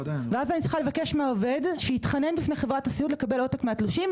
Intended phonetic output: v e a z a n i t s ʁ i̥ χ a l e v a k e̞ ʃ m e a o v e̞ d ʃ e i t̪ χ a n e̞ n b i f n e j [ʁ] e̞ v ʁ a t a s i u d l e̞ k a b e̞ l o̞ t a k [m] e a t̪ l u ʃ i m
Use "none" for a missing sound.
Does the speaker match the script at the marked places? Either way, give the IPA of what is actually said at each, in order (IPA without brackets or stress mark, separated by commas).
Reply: χ, m